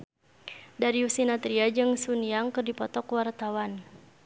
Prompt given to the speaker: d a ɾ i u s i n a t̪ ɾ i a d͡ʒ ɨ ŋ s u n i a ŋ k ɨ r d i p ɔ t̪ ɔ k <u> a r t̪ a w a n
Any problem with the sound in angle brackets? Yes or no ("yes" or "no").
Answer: yes